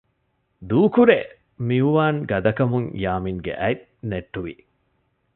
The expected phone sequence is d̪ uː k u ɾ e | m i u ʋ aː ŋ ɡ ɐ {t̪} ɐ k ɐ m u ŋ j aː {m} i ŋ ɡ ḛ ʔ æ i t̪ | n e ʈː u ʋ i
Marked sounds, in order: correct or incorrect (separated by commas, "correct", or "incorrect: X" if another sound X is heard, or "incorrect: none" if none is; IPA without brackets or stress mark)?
incorrect: d̪, correct